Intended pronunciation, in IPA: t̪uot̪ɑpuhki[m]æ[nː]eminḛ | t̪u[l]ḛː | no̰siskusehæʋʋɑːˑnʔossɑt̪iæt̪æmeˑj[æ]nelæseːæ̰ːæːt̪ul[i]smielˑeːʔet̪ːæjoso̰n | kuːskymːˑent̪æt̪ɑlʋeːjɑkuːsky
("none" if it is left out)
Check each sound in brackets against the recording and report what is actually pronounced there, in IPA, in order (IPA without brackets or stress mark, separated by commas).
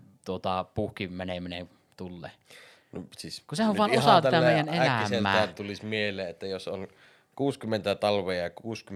m, n, lː, æ, i